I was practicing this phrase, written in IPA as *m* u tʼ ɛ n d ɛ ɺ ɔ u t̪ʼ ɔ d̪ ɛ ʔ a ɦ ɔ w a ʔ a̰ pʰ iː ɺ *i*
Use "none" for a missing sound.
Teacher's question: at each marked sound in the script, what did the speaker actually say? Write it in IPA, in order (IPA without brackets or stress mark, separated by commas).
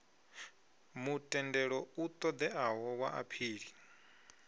m, i